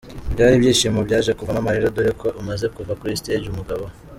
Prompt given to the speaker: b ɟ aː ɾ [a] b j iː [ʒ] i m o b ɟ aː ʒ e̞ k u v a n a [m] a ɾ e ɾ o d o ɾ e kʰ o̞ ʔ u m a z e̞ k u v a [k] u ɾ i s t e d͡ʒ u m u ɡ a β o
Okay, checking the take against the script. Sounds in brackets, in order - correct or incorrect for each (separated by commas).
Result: incorrect, incorrect, correct, correct